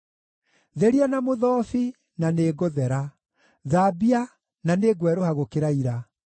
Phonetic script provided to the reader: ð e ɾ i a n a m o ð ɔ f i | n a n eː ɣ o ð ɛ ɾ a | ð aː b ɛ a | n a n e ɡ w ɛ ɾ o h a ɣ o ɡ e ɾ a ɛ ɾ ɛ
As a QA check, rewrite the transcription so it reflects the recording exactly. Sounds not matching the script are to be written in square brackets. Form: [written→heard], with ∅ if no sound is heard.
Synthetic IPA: ð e ɾ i a n a m o ð ɔ f i | n a n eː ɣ o ð ɛ ɾ a | ð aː b [ɛ→i] a | n a n e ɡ w ɛ ɾ o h a ɣ o [ɡ→k] e ɾ a [ɛ→i] ɾ [ɛ→a]